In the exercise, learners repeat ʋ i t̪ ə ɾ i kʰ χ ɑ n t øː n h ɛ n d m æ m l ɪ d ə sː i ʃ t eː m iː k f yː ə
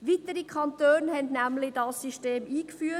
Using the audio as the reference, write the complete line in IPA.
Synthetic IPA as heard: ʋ i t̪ ə ɾ i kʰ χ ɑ n t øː n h ɛ n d n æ m l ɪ d ɑ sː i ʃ t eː m iː k f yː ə